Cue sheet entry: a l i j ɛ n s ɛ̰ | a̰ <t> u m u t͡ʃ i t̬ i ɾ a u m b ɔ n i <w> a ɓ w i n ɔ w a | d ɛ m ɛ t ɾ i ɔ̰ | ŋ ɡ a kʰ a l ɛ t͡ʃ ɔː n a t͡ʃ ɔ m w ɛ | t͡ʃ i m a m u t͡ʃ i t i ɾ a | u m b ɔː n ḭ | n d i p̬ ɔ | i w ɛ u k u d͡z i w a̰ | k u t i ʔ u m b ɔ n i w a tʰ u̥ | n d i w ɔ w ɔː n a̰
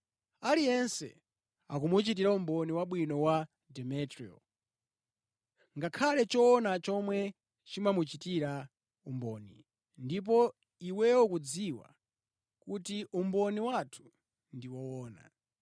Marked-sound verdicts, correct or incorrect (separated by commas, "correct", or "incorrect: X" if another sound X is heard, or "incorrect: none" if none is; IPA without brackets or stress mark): incorrect: k, correct